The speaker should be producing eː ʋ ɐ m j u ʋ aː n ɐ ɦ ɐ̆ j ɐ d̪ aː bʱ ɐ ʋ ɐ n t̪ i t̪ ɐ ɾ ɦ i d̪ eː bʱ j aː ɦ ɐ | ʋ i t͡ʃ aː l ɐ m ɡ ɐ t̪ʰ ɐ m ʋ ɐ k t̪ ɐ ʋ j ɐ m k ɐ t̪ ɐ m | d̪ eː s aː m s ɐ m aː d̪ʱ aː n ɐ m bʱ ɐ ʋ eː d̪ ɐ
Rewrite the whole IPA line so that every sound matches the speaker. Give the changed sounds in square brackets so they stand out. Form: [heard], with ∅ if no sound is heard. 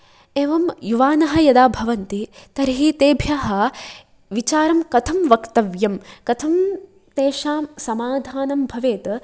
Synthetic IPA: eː ʋ ɐ m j u ʋ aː n ɐ ɦ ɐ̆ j ɐ d̪ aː bʱ ɐ ʋ ɐ n t̪ i t̪ ɐ ɾ ɦ i [t̪] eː bʱ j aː ɦ ɐ | ʋ i t͡ʃ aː [ɾ] ɐ m [k] ɐ t̪ʰ ɐ m ʋ ɐ k t̪ ɐ ʋ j ɐ m k ɐ [t̪ʰ] ɐ m | [t̪] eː [ʃ] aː m s ɐ m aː d̪ʱ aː n ɐ m bʱ ɐ ʋ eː [t̪] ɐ